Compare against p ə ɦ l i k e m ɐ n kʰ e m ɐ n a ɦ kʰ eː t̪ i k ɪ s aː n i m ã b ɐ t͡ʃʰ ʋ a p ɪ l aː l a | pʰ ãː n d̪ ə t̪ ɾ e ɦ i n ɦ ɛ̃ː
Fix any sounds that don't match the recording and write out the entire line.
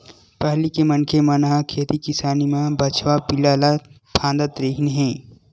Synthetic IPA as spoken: p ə ɦ l i k e m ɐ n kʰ e m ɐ n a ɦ kʰ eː t̪ i k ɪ s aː n i m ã b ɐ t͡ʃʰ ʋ a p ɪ l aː l a | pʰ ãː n d̪ ə t̪ ɾ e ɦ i n ɦ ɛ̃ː